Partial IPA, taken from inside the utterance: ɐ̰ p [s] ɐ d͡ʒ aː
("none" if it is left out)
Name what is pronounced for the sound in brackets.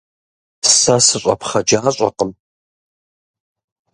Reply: χ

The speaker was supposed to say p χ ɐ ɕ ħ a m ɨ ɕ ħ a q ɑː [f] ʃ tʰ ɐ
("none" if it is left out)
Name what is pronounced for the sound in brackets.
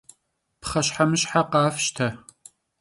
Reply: f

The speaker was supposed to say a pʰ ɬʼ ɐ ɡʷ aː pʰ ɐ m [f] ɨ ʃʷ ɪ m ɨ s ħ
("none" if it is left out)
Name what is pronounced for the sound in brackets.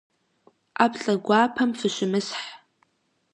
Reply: f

